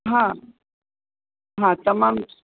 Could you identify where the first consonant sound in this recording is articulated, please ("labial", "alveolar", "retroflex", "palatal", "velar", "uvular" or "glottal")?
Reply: glottal